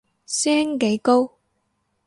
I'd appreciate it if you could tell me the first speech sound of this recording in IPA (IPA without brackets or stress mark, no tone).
s